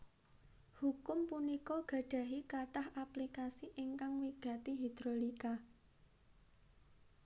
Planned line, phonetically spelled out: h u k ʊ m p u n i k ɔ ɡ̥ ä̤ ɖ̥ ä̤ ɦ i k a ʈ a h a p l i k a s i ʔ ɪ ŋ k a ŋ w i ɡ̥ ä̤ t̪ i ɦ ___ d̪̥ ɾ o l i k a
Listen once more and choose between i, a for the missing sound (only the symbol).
i